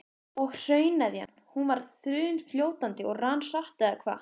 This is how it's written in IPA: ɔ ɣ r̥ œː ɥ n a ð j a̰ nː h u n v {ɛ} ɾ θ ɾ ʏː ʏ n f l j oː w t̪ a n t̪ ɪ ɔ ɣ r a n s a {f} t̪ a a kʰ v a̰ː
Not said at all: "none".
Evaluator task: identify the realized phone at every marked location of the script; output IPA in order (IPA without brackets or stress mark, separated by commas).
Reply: a, h